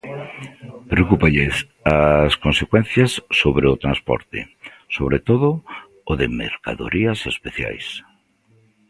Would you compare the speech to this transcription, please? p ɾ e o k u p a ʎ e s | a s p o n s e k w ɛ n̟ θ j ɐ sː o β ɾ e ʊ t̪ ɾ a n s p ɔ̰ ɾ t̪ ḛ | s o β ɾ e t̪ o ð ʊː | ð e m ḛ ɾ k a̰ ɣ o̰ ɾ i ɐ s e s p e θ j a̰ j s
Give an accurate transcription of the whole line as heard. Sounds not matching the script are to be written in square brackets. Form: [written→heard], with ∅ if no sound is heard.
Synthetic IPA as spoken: p ɾ e o k u p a ʎ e s | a s [p→k] o n s e k w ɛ n̟ θ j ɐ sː o β ɾ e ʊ t̪ ɾ a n s p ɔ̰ ɾ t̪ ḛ | s o β ɾ e t̪ o ð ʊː | ð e m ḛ ɾ k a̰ [ɣ→ð] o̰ ɾ i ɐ s e s p e θ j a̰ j s